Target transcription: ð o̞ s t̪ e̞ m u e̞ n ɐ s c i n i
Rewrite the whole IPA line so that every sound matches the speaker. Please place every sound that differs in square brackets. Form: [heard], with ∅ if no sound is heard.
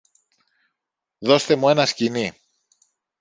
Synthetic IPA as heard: ð o̞ s t̪ e̞ m u e̞ n ɐ s c i n i